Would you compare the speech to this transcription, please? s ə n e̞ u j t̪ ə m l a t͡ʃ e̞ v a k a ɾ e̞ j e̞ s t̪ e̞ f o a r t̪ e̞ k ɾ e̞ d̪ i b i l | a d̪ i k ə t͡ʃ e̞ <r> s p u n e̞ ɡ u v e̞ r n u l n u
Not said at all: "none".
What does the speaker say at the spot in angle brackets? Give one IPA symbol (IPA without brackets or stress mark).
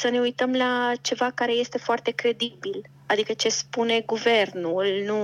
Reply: none